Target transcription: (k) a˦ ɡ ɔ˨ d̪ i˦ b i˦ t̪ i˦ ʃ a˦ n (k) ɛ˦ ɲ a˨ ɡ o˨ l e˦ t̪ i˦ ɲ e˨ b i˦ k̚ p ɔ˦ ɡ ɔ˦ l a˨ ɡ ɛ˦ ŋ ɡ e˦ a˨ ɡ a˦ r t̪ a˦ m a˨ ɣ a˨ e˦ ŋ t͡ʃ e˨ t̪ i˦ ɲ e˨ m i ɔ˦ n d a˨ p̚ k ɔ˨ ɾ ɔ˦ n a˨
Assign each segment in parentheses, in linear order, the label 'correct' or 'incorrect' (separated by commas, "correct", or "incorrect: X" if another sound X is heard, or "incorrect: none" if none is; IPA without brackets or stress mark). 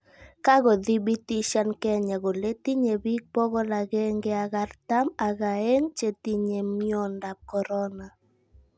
correct, correct